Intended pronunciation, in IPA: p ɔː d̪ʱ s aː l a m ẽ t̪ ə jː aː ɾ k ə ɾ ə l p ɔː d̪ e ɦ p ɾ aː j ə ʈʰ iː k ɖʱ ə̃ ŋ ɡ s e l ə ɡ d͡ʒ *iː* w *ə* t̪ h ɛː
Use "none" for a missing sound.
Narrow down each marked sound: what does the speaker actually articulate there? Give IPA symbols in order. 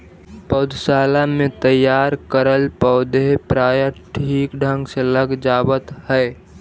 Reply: aː, ə

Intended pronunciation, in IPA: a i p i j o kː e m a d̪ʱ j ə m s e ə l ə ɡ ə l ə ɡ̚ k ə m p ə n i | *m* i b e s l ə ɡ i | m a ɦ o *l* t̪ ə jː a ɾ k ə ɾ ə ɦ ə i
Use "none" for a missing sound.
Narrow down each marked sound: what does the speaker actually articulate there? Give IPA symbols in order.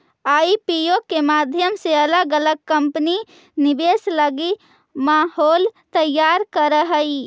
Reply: n, l

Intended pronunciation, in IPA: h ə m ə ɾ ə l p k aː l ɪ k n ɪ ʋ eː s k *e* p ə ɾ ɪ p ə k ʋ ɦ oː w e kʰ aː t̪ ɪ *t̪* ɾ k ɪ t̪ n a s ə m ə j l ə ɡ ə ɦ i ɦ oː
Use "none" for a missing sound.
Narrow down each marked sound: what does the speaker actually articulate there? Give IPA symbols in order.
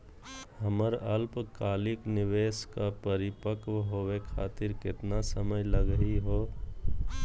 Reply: a, none

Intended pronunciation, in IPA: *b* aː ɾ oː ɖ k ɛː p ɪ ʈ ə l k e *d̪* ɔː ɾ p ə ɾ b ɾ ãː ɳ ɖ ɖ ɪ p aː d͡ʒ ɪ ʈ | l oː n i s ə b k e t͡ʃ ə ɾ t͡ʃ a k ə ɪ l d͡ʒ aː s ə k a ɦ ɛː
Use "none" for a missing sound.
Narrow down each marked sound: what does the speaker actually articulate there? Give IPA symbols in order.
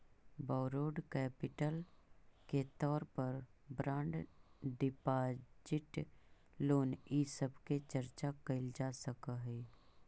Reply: b, t̪

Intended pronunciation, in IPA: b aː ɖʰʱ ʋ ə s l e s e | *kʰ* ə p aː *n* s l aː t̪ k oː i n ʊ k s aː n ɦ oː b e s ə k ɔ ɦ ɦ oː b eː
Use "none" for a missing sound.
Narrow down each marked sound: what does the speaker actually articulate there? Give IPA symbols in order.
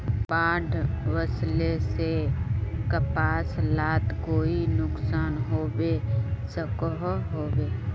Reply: k, none

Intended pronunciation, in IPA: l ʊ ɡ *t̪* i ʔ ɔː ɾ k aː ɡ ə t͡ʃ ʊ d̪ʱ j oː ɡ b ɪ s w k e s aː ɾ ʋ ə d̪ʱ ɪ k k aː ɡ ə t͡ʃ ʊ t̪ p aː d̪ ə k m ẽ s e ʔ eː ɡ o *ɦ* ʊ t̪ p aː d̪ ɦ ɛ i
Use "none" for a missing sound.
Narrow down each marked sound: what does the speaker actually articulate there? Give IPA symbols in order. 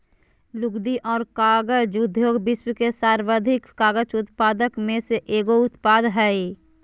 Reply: d̪, none

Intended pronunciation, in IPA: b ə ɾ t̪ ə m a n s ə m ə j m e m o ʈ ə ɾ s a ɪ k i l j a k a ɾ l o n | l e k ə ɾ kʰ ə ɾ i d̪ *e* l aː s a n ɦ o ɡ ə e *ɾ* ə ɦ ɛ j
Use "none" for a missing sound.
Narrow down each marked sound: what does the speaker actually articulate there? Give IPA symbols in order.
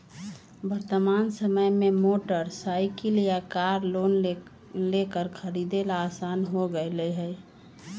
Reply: e, l

